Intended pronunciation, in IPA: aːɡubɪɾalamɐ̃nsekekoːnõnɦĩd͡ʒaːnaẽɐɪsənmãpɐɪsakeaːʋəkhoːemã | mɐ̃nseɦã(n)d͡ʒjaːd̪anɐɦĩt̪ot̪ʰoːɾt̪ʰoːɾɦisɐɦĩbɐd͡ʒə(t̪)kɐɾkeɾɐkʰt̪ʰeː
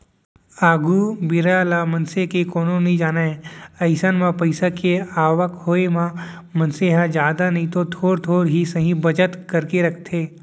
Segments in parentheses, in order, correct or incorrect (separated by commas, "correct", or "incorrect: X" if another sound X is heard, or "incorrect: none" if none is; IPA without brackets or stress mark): incorrect: none, correct